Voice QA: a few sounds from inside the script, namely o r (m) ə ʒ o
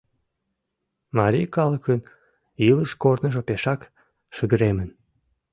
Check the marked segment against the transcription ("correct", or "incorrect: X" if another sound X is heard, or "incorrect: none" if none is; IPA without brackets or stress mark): incorrect: n